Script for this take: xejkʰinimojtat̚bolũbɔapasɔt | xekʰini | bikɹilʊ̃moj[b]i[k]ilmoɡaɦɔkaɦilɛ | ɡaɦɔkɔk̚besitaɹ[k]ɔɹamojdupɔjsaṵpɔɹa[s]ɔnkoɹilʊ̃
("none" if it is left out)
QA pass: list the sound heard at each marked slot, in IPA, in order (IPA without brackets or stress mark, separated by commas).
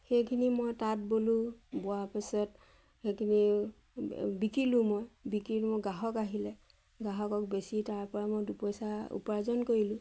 b, k, p, z